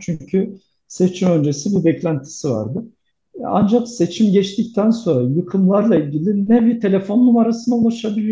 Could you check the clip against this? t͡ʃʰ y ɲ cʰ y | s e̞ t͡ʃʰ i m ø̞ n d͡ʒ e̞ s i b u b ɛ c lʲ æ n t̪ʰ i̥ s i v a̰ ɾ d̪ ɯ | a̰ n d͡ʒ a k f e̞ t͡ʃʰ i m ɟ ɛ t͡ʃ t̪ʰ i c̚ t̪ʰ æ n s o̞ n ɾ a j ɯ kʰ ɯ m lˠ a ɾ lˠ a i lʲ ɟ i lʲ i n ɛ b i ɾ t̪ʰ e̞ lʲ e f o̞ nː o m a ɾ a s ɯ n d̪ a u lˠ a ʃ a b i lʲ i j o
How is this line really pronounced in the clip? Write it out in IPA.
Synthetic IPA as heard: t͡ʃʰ y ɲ cʰ y | s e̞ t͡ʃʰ i m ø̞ n d͡ʒ e̞ s i b u b ɛ c lʲ æ n t̪ʰ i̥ s i v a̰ ɾ d̪ ɯ | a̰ n d͡ʒ a k s e̞ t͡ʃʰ i m ɟ ɛ t͡ʃ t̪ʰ i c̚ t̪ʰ æ n s o̞ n ɾ a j ɯ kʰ ɯ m lˠ a ɾ lˠ a i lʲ ɟ i lʲ i n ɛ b i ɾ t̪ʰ e̞ lʲ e f o̞ nː u m a ɾ a s ɯ n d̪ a u lˠ a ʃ a b i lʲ i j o